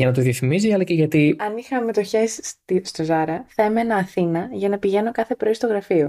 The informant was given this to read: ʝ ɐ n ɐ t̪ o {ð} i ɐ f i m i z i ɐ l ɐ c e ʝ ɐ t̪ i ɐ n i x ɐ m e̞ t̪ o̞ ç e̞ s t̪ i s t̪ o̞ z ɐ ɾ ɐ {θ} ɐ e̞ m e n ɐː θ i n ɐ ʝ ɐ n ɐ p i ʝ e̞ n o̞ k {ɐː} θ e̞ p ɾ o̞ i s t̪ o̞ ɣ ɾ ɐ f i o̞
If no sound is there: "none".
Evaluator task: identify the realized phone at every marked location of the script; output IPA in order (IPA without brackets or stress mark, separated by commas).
ð, θ, ɐ